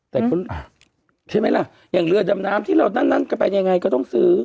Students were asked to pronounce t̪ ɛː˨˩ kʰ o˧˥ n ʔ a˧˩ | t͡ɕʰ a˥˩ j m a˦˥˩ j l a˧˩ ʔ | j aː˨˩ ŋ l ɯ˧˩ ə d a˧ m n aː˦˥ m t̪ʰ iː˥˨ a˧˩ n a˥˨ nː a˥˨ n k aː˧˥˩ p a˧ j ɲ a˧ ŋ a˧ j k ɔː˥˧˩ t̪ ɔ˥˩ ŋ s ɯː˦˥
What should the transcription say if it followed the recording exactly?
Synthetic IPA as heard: t̪ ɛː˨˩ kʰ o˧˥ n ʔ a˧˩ | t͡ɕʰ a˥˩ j m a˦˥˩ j l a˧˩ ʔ | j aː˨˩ ŋ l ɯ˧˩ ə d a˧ m n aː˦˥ m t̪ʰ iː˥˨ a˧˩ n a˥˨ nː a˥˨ n k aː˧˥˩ p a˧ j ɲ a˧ ŋ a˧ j k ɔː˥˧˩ t̪ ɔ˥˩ ŋ s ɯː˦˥